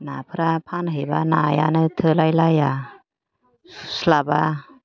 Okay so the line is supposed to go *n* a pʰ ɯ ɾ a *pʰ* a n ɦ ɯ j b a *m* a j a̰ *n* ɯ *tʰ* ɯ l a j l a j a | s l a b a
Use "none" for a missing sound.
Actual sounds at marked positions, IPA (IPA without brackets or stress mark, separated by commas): n, pʰ, n, n, tʰ